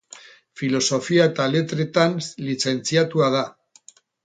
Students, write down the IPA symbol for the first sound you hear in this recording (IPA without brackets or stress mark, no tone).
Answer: f